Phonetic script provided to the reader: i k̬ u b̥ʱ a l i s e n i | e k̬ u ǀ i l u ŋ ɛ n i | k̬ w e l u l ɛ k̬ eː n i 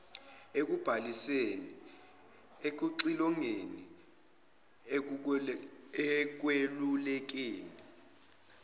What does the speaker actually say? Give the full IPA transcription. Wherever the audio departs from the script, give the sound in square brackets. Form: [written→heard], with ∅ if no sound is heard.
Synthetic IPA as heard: [i→e] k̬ u b̥ʱ a l i s e n i | e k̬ u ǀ i l [u→ɔ] ŋ [ɛ→e] n i | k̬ w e l u l ɛ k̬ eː n i

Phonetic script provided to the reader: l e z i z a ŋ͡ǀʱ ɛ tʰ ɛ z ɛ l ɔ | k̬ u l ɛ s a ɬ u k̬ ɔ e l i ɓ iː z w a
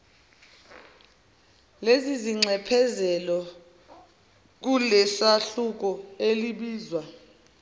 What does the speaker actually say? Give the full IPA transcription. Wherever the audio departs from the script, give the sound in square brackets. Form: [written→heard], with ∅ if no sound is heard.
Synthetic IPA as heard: l e z i z [a→i] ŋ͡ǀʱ ɛ [tʰ→pʰ] ɛ z ɛ l ɔ | k̬ u l ɛ s a ɬ u k̬ ɔ e l i ɓ iː z w a

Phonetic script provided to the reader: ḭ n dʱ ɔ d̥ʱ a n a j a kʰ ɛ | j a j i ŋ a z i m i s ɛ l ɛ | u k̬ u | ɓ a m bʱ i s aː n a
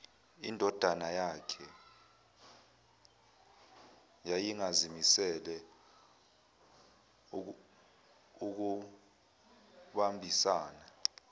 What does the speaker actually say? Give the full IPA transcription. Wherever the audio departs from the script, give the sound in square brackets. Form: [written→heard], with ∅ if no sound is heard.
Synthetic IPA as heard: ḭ n dʱ ɔ d̥ʱ a n a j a kʰ ɛ | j a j i ŋ a z i m i s ɛ l ɛ | u k̬ u | ɓ a m bʱ i s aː n a

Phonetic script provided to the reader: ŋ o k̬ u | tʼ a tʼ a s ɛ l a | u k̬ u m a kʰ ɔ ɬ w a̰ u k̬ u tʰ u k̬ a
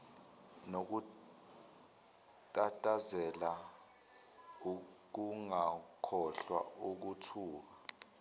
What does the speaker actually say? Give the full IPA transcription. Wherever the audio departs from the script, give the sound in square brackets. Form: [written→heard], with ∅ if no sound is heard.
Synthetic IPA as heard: [ŋ→n] o k̬ u | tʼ a tʼ a [s→z] ɛ l a | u k̬ u [m→ŋ] a kʰ ɔ ɬ w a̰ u k̬ u tʰ [u→uː] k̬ a

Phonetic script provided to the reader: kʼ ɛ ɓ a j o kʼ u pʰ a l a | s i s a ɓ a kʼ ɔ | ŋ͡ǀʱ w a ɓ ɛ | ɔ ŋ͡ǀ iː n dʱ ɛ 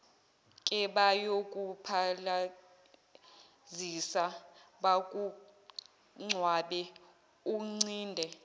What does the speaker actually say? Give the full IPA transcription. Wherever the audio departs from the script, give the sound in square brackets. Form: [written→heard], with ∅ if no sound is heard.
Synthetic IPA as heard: kʼ ɛ ɓ a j o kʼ u pʰ a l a | [s→z] i s a ɓ a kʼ [ɔ→u] | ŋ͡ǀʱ w a ɓ ɛ | [ɔ→u] ŋ͡ǀ iː n dʱ ɛ

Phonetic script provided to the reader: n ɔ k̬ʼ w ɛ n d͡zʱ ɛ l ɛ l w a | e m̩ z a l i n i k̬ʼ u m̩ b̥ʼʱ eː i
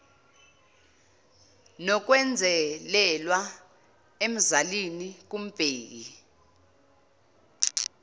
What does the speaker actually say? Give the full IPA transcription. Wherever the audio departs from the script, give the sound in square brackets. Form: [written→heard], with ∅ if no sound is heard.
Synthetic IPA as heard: n ɔ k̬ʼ w ɛ n d͡zʱ ɛ l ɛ l w a | e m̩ z a l i n i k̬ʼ u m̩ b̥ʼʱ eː i

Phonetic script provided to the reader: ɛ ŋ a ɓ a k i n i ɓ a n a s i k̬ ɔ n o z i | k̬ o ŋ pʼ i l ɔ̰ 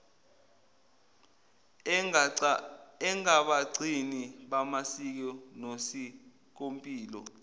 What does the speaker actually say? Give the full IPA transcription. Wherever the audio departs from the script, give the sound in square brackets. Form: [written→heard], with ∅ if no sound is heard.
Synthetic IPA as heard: ɛ ŋ a ɓ a [k→ǀ] i n i ɓ a [n→m] a s i k̬ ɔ n o [z→s] i | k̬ o [ŋ→m] pʼ [i→iː] l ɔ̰

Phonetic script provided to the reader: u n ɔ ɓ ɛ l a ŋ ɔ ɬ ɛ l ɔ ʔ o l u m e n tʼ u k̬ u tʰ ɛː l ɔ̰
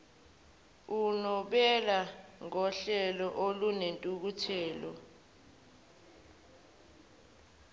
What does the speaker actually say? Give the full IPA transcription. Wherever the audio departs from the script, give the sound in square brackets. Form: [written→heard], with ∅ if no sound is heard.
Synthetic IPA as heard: u n ɔ ɓ ɛ l a ŋ ɔ ɬ ɛ l ɔ ʔ o l u [m→n] e n tʼ u k̬ u tʰ ɛː l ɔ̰

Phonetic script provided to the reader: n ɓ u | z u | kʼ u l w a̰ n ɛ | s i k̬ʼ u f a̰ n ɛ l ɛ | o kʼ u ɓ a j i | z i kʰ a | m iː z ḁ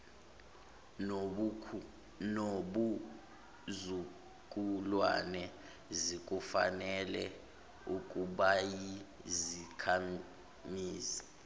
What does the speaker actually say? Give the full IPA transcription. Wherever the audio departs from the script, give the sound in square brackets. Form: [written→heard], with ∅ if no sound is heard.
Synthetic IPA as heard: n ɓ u | z u | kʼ u l w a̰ n ɛ | [s→z] i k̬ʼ u f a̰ n ɛ l ɛ | [o→u] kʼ u ɓ a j i | z i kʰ a | m iː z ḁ

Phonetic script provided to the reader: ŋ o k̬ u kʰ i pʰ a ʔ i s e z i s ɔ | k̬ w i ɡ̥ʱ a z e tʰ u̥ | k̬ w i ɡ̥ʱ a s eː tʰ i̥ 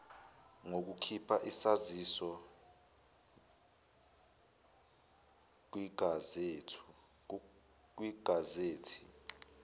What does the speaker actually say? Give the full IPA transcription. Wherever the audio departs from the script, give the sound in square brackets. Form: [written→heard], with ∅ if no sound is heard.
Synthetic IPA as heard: ŋ o k̬ u kʰ i pʰ a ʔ i s [e→a] z i s ɔ | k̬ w i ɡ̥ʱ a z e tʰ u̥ | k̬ w i ɡ̥ʱ a [s→z] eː tʰ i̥

